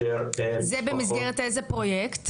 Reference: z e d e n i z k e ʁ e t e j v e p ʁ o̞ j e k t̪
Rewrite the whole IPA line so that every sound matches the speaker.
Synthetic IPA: z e b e m i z ɡ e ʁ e t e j z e p ʁ o̞ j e k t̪